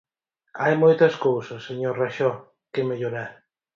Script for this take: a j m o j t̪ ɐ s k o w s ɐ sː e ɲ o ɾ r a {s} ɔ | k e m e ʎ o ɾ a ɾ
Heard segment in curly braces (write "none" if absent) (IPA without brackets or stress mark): ʃ